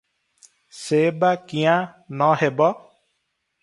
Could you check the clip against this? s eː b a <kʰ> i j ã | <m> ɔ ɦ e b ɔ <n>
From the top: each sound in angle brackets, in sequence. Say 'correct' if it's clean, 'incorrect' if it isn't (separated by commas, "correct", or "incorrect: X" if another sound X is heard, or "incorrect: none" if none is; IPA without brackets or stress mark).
incorrect: k, incorrect: n, incorrect: none